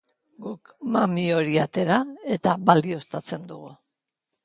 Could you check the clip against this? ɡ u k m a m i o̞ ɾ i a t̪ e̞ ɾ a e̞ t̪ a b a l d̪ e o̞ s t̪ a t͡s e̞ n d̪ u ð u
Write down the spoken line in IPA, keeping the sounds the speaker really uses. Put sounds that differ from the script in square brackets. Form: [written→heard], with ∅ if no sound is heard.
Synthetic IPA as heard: ɡ u k m a m i o̞ ɾ i a t̪ e̞ ɾ a e̞ t̪ a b a l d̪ [e→i] o̞ s t̪ a t͡s e̞ n d̪ u [ð→ɣ] u

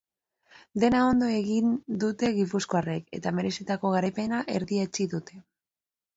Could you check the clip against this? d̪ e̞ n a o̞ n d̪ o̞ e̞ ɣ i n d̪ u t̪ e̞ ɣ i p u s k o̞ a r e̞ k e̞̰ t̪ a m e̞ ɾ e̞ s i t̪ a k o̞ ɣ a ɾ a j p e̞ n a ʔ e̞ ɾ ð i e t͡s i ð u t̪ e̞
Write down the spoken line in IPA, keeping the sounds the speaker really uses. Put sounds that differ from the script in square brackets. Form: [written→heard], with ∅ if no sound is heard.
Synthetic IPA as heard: d̪ e̞ n a o̞ n d̪ o̞ e̞ ɣ i n d̪ u t̪ e̞ ɣ i p u s k o̞ a r e̞ k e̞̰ t̪ a m e̞ ɾ e̞ s i t̪ a k o̞ ɣ a ɾ a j p e̞ n a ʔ e̞ ɾ ð i e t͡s i ð u t̪ e̞

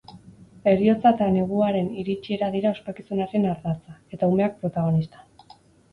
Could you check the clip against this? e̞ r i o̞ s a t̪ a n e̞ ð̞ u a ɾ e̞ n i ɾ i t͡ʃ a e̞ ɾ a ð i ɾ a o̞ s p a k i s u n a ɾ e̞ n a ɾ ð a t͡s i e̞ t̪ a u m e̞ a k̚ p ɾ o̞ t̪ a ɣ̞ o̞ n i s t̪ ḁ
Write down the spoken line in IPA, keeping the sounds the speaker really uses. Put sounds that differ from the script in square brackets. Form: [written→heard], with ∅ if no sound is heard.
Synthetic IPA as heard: e̞ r i o̞ [s→t͡s] a t̪ a n e̞ [ð̞→ɣ̞] u a ɾ e̞ n i ɾ i t͡ʃ [a→i] e̞ ɾ a ð i ɾ a o̞ s p a k i s u n a ɾ e̞ n a ɾ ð a t͡s [i→a] e̞ t̪ a u m e̞ a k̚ p ɾ o̞ t̪ a ɣ̞ o̞ n i s t̪ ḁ

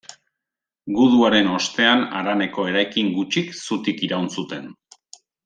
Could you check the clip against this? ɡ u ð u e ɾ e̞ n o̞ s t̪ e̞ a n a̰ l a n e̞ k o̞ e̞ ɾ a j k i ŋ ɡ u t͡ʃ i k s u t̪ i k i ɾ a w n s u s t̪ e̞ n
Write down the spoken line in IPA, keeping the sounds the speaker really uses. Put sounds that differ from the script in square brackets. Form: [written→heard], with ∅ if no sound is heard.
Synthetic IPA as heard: ɡ u ð u [e→a] ɾ e̞ n o̞ s t̪ e̞ a n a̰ [l→ɾ] a n e̞ k o̞ e̞ ɾ a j k i ŋ ɡ u t͡ʃ i k s u t̪ i k i ɾ a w n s u [s→∅] t̪ e̞ n

